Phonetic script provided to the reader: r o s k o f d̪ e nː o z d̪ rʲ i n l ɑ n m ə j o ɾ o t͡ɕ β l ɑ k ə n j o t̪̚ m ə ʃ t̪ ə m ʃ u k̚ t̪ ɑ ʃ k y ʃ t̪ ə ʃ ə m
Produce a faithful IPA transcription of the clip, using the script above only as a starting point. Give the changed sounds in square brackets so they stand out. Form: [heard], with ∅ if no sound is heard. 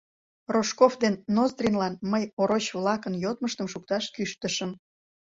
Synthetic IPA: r o [ʃ] k o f d̪ e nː o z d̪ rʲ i n l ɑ n m ə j o ɾ o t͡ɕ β l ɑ k ə n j o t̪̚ m ə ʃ t̪ ə m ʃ u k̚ t̪ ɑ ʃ k y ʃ t̪ ə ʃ ə m